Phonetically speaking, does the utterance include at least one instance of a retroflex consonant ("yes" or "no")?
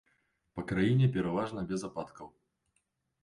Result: yes